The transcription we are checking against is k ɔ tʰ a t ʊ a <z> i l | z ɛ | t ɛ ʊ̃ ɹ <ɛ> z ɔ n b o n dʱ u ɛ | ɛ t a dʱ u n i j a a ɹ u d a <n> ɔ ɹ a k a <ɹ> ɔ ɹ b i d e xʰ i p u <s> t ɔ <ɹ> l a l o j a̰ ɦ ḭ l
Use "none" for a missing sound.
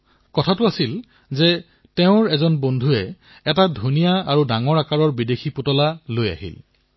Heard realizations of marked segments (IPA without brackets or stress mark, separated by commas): s, ɛ, ŋ, ɹ, none, none